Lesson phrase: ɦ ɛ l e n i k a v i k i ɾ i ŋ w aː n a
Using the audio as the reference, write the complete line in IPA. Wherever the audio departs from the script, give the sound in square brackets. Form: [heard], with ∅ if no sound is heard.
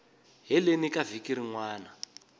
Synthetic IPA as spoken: ɦ ɛ l e n i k a v i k i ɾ i ŋ w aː n a